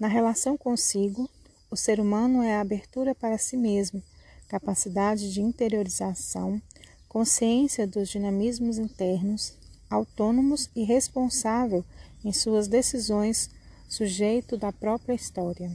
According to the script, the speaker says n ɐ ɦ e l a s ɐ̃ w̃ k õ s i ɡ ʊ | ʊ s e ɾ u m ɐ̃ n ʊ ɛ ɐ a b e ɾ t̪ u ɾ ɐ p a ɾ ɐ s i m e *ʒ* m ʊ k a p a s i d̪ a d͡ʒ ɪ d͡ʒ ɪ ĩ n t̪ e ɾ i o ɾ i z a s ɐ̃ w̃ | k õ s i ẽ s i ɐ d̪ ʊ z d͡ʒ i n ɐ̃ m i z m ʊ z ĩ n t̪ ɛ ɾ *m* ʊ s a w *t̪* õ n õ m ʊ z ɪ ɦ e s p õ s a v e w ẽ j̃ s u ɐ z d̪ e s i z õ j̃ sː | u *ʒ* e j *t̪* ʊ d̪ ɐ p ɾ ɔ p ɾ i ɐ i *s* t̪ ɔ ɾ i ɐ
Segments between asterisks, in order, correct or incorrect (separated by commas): incorrect, incorrect, correct, correct, correct, correct